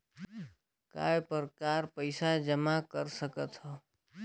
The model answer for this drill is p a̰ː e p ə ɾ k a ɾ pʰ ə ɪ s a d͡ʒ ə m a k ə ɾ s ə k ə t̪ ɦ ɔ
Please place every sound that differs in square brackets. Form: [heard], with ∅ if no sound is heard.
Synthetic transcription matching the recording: [k] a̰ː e p ə ɾ k a ɾ [p] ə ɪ s a d͡ʒ ə m a k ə ɾ s ə k ə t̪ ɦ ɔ